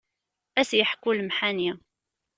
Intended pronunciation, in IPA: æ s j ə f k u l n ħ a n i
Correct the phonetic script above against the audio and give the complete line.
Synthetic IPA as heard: æ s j ə ħ k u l m ħ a n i